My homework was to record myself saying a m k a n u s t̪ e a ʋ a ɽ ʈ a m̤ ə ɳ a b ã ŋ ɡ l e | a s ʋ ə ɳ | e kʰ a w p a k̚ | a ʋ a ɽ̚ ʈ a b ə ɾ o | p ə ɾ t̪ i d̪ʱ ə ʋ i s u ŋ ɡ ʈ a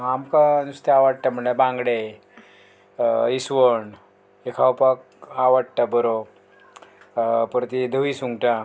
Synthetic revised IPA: a m k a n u s t̪ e a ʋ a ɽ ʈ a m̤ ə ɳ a b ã ŋ ɡ ɽ e | i s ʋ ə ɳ | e kʰ a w p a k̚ | a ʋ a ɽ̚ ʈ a b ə ɾ o | p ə ɾ t̪ i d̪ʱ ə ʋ i s u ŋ ɡ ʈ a